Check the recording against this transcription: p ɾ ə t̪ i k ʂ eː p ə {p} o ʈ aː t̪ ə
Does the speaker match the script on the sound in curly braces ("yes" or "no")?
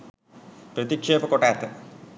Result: no